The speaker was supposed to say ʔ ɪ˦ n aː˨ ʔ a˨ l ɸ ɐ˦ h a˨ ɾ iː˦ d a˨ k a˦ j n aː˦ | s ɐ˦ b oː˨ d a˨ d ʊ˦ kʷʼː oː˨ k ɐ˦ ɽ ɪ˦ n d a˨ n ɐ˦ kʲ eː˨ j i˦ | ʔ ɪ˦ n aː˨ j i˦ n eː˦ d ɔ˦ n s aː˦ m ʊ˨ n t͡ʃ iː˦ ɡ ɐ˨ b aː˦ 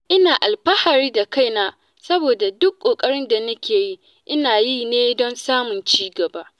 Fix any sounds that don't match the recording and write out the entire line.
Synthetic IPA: ʔ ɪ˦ n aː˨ ʔ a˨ l ɸ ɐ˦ h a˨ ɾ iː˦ d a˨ k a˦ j n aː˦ | s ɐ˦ b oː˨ d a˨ d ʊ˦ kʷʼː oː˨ kʼ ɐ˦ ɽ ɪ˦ n d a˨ n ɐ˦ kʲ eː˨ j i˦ | ʔ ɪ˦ n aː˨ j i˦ n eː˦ d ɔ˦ n s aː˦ m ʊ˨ n t͡ʃ iː˦ ɡ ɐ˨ b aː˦

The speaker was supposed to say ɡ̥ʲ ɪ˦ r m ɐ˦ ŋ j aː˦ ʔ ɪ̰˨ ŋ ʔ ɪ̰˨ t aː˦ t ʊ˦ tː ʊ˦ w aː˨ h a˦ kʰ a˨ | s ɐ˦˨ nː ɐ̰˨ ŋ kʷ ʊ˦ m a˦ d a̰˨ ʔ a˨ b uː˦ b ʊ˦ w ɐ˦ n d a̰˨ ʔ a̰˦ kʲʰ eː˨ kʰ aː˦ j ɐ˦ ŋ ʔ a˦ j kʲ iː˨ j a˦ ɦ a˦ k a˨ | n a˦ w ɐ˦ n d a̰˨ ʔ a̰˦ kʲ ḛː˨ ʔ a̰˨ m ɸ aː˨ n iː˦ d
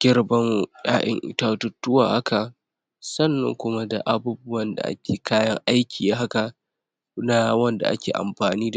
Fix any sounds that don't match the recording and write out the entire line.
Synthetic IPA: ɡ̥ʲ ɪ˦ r b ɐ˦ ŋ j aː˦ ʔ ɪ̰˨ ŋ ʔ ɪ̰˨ t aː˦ t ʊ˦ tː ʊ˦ w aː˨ h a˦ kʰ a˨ | s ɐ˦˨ nː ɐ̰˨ ŋ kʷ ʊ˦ m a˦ d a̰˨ ʔ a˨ b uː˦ b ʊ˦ w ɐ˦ n d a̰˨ ʔ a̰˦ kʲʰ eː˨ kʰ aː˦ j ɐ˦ ŋ ʔ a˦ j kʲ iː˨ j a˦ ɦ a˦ k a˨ | n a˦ w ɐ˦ n d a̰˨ ʔ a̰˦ kʲ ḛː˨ ʔ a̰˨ m ɸ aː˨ n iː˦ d

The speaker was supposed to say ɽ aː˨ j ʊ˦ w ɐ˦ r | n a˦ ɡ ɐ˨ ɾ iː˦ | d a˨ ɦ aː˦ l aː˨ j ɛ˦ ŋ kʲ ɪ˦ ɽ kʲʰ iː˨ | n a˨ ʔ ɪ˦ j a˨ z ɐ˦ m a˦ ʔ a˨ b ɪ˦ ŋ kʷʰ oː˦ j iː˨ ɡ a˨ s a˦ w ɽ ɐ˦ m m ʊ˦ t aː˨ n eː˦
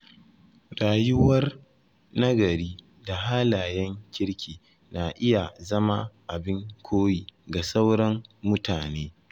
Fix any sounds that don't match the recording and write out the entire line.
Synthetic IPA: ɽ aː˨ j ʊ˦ w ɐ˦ r | n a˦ ɡ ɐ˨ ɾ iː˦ | d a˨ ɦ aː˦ l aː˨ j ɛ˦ ŋ kʲ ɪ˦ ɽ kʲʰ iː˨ | n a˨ ʔ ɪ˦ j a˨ z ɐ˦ m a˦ ʔ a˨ b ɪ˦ ŋ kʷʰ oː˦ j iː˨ ɡ a˨ s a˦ w ɽ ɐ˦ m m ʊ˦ t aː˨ n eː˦

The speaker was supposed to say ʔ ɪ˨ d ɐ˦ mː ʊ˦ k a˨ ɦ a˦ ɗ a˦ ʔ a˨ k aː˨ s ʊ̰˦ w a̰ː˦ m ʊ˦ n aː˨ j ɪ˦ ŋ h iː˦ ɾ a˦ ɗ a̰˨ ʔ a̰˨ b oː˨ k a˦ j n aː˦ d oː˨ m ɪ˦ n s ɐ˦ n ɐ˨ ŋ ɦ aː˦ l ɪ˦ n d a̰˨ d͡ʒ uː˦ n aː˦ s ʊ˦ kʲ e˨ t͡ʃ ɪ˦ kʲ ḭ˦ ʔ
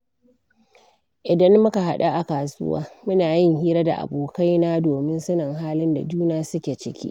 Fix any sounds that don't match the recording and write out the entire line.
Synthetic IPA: ʔ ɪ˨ d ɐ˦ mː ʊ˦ k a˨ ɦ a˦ ɗ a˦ ʔ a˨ k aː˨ s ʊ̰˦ w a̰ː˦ m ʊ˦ n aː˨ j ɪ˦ ŋ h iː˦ ɾ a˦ d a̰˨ ʔ a̰˨ b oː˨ k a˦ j n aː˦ d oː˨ m ɪ˦ n s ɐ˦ n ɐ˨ ŋ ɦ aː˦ l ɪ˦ n d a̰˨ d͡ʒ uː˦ n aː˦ s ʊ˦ kʲ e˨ t͡ʃ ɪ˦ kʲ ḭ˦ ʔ

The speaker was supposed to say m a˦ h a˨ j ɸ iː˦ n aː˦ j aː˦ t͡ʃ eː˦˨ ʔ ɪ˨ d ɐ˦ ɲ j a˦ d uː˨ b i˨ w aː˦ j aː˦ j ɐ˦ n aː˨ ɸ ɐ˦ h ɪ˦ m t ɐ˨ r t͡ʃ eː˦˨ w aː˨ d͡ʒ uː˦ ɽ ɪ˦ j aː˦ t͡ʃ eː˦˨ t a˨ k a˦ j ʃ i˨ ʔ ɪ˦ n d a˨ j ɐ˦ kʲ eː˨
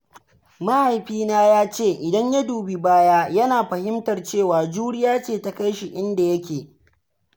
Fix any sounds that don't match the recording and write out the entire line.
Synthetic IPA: m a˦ h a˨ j ɸ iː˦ n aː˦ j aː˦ t͡ʃ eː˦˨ ʔ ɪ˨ d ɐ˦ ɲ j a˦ d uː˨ b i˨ b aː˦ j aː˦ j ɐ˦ n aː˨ ɸ ɐ˨ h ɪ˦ m t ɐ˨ r t͡ʃ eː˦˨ w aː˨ d͡ʒ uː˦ ɽ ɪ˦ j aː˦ t͡ʃ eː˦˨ t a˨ k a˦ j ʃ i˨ ʔ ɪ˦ n d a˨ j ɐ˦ kʲ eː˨

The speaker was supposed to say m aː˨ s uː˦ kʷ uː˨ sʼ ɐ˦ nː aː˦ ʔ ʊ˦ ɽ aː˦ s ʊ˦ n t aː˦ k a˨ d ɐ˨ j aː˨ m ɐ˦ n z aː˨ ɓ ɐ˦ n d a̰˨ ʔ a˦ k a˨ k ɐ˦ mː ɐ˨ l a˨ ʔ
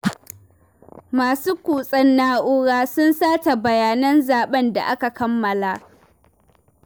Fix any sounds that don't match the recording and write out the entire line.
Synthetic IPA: m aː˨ s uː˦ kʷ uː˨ sʼ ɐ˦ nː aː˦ ʔ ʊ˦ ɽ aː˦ s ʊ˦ n s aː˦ t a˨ b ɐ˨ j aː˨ n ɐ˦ n z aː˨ ɓ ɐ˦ n d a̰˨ ʔ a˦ k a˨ k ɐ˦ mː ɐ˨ l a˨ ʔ

